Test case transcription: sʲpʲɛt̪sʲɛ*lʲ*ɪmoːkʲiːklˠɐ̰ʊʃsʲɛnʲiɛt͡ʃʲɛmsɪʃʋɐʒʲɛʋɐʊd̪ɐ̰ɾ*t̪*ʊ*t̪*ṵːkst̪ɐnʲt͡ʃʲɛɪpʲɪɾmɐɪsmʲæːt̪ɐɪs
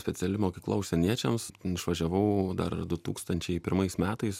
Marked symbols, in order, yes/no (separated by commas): yes, no, yes